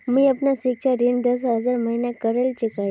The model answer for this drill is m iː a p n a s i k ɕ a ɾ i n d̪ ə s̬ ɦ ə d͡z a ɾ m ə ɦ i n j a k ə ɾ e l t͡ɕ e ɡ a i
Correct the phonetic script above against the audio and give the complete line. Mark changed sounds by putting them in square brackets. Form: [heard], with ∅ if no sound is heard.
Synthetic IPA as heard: m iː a p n a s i k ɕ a ɾ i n d̪ ə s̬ ɦ ə d͡z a ɾ m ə ɦ i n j a k ə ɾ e l t͡ɕ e [k] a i